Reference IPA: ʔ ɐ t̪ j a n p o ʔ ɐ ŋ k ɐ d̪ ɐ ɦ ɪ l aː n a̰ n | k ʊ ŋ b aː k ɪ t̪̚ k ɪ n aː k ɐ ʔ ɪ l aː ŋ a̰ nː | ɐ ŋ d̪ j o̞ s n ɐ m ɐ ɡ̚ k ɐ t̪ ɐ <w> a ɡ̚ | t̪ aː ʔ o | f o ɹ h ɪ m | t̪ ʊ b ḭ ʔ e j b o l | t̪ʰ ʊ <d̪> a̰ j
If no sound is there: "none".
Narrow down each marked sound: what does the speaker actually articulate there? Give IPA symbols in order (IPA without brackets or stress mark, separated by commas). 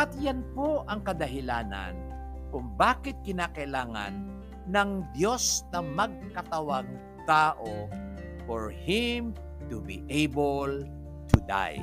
w, d̪